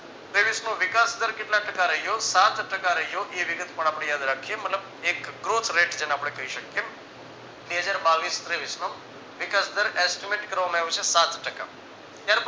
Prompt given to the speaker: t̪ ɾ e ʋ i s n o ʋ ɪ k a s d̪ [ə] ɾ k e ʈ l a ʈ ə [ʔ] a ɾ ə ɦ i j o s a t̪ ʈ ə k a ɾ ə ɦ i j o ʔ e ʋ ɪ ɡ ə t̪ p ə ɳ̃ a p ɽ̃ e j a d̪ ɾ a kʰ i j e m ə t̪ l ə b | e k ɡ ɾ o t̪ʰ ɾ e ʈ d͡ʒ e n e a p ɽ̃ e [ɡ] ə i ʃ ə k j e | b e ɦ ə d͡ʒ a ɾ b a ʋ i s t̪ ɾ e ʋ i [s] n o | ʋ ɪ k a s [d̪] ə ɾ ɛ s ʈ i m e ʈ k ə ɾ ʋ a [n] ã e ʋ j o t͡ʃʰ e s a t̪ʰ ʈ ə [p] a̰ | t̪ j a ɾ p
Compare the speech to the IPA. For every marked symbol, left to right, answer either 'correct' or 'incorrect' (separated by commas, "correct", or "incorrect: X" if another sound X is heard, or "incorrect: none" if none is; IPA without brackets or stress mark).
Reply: correct, incorrect: k, incorrect: k, correct, correct, incorrect: m, incorrect: k